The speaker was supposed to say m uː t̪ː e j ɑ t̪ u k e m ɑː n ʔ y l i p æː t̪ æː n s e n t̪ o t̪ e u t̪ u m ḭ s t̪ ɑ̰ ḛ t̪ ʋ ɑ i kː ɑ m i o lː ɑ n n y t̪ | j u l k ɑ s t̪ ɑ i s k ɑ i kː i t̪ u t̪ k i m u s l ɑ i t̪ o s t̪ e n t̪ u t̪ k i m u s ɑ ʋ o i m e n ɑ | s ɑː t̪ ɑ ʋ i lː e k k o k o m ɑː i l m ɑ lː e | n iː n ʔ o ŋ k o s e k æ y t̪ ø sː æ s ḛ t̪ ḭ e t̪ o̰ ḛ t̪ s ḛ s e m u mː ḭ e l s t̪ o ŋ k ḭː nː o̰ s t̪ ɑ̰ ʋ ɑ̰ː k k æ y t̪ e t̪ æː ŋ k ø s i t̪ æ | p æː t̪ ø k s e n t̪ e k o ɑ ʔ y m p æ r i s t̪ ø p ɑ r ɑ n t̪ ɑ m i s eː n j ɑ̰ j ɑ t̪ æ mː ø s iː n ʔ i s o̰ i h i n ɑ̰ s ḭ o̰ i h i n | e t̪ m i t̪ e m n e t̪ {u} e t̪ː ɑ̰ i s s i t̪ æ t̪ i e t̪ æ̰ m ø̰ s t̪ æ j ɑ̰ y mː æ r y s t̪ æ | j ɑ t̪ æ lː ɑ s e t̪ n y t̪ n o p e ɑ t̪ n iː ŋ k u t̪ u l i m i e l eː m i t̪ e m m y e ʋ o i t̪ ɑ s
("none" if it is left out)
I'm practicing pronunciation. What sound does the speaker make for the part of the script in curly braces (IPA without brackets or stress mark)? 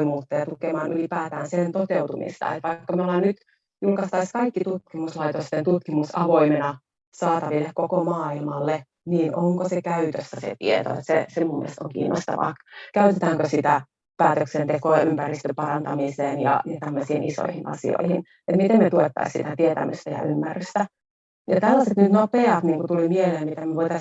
u